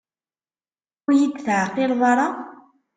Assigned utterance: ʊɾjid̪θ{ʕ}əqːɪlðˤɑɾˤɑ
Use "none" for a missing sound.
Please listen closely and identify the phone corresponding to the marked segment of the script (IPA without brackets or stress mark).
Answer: ʕ